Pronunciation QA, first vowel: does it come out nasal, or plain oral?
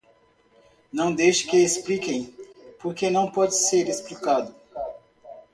nasal